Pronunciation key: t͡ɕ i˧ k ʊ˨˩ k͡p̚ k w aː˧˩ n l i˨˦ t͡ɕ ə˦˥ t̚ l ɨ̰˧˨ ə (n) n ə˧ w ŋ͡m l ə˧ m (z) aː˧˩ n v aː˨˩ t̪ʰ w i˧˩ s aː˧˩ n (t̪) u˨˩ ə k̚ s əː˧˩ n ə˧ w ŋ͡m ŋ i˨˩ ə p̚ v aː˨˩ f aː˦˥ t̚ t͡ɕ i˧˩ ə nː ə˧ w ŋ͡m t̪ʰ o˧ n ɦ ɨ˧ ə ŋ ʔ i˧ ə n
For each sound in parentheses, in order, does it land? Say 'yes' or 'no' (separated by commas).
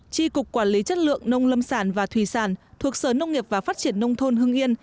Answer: no, no, no